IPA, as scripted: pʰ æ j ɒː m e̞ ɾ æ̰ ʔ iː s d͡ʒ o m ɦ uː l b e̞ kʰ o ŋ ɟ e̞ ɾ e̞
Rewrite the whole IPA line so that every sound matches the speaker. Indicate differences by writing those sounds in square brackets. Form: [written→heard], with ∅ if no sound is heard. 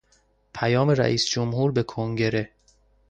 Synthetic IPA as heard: pʰ æ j ɒː m e̞ ɾ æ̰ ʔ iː s d͡ʒ o m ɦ uː [l→ɾ] b e̞ kʰ o ŋ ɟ e̞ ɾ e̞